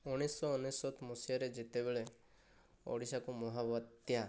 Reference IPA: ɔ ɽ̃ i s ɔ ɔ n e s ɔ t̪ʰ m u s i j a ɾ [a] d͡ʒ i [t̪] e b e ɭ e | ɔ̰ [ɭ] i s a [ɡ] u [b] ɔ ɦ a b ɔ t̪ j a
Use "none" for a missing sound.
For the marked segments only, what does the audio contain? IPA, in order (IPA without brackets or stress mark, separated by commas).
e, t̪, ɽ, k, m